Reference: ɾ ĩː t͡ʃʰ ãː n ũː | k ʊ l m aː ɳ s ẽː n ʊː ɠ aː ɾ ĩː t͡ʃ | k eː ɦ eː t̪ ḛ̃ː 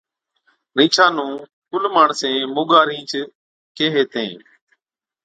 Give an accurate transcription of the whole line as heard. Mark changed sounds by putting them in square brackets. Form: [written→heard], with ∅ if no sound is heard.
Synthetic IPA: ɾ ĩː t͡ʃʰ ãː n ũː | k ʊ l m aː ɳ s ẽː [n→m] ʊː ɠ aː ɾ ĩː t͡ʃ | k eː ɦ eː t̪ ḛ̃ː